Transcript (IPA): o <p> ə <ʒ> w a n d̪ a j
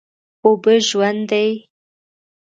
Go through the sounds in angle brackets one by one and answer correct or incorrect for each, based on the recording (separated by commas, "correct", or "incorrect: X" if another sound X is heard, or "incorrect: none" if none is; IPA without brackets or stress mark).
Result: incorrect: b, correct